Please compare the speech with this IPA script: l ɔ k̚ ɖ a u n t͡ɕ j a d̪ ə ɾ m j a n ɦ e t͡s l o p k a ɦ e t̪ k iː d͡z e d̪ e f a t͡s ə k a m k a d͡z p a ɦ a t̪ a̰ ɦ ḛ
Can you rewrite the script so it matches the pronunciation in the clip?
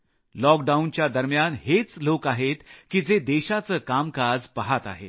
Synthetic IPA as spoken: l ɔ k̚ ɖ a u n t͡ɕ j a d̪ ə ɾ m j a n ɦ e t͡s l o k a ɦ e t̪ k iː d͡z e d̪ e ɕ a t͡s ə k a m k a d͡z p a ɦ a t̪ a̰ ɦ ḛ